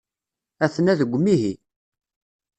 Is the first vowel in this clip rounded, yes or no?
no